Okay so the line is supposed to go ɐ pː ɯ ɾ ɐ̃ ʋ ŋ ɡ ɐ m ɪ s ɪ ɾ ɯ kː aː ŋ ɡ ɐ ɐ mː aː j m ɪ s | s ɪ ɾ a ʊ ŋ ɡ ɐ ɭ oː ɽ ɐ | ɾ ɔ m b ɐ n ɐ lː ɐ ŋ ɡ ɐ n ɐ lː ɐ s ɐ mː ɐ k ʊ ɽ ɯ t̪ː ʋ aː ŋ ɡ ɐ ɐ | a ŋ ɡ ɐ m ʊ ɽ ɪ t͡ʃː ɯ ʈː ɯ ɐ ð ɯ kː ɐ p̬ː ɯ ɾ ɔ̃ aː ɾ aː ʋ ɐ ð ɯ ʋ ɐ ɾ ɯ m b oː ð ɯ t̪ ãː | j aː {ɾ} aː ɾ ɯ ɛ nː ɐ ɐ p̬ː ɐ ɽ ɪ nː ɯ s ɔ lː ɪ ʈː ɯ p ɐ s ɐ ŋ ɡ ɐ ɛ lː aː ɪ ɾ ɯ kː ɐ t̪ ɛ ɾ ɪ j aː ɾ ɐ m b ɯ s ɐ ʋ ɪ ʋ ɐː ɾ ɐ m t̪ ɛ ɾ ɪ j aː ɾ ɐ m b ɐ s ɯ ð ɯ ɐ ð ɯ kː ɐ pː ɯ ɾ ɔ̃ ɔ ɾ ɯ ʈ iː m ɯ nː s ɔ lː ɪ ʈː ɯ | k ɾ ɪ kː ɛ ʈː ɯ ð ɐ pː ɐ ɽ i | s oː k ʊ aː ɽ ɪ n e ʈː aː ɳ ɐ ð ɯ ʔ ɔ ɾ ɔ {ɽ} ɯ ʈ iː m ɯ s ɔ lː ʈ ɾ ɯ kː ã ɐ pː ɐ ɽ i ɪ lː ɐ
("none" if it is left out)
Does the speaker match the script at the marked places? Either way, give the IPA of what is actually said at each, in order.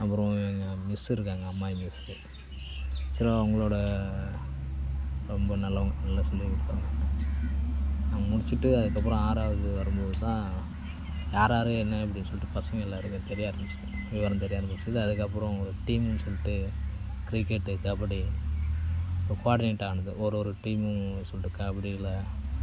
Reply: ɾ, ɾ

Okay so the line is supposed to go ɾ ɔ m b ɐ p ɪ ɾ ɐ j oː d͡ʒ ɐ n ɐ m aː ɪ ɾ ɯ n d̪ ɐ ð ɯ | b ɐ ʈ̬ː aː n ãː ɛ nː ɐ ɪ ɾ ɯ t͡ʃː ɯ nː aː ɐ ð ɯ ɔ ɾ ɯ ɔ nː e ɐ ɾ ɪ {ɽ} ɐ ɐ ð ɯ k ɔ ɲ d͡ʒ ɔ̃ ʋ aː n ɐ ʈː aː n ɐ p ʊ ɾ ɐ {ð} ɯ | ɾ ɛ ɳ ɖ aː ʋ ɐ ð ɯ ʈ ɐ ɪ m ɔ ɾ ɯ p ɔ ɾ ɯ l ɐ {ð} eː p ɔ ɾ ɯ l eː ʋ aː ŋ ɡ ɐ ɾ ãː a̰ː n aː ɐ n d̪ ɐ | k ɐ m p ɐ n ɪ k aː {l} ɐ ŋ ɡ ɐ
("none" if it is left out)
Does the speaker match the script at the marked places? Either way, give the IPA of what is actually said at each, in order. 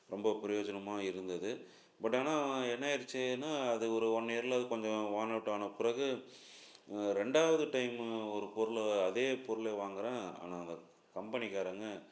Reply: l, ɣ, ð, ɾ

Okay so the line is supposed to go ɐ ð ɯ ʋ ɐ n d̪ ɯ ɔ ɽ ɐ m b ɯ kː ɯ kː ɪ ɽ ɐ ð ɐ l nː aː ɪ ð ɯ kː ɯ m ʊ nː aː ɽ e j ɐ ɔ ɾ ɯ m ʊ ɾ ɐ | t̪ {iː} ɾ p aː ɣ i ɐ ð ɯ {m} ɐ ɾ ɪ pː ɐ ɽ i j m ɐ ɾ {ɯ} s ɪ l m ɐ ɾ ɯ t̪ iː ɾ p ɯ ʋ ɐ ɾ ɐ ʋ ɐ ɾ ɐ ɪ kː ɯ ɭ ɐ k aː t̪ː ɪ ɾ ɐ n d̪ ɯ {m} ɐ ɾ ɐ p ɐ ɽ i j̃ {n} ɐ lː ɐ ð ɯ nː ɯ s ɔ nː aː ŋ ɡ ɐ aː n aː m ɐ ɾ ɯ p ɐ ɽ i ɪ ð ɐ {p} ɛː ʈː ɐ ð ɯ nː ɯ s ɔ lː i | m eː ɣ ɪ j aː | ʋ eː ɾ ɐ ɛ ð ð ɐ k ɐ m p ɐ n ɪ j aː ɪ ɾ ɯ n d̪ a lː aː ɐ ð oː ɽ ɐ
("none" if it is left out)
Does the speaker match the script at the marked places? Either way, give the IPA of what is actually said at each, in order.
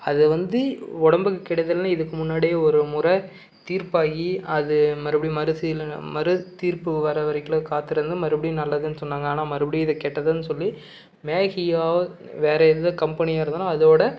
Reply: iː, m, ɯ, m, n, k

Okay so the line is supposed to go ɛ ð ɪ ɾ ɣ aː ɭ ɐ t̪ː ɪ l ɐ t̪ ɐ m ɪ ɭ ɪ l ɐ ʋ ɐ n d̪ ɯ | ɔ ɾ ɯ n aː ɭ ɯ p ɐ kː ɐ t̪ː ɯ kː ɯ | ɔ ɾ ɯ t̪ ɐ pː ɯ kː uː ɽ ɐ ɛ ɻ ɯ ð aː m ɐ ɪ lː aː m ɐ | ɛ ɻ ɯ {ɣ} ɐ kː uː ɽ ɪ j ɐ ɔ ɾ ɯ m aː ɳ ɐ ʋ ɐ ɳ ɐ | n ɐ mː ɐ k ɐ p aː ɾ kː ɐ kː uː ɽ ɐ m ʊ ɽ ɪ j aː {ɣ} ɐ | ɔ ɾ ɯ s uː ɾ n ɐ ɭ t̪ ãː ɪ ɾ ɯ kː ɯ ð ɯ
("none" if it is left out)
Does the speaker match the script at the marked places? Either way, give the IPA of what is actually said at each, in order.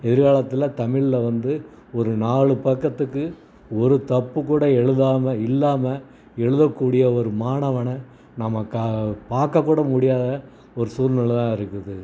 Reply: ð, ð

